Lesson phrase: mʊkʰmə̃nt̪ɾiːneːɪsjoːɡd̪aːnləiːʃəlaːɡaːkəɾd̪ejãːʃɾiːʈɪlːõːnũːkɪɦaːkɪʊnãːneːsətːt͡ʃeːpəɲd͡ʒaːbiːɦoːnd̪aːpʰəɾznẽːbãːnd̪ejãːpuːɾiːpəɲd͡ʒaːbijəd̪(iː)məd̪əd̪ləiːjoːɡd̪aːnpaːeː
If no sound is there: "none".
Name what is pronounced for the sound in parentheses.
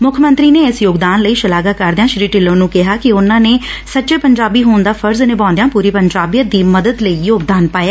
iː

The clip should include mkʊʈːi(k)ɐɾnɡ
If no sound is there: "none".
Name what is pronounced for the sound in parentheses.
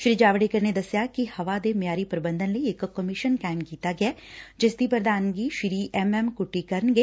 k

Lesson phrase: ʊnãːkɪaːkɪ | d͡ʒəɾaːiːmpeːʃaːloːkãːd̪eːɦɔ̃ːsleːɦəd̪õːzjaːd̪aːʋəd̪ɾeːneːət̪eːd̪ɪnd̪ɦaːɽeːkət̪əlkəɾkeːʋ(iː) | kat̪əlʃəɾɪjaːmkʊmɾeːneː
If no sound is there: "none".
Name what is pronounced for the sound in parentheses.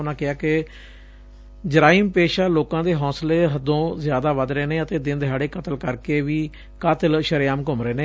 iː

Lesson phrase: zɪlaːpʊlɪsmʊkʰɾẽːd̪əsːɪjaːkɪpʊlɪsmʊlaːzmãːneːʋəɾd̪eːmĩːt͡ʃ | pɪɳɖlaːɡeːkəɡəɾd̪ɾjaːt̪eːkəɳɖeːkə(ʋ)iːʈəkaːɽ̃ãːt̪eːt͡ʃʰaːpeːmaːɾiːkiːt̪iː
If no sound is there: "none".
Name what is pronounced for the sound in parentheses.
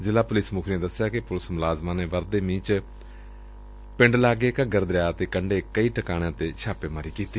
none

